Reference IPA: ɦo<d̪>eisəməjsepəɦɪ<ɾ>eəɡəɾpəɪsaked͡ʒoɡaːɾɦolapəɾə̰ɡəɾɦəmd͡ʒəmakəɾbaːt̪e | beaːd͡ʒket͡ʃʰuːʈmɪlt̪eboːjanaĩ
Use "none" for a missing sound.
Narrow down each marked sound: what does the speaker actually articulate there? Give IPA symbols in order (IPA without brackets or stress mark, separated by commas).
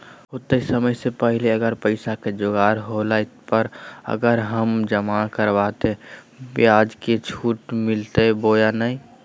t̪, l